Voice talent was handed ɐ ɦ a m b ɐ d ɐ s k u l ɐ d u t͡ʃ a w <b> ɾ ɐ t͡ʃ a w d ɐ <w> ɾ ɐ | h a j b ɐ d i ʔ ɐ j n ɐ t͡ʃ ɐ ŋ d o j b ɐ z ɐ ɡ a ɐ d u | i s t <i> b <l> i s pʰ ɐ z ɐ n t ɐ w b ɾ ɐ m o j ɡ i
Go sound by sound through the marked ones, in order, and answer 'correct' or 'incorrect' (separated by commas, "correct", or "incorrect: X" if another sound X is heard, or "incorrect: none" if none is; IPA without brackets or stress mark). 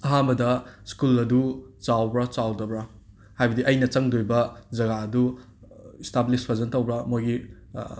correct, incorrect: b, incorrect: a, correct